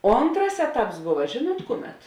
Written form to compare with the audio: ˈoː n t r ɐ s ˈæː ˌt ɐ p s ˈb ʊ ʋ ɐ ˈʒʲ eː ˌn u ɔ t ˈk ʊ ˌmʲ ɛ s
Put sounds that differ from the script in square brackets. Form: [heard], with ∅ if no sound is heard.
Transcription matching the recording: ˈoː n t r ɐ s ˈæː ˌt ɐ p s ˈb ʊ ʋ ɐ ˈʒʲ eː ˌn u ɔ t ˈk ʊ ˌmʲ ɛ [t]